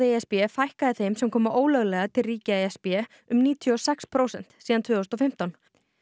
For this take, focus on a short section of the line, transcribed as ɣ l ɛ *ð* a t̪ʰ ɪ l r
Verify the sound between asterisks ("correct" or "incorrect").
incorrect